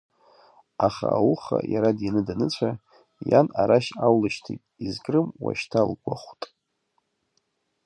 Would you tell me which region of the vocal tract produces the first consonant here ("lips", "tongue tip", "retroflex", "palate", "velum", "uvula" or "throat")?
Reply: uvula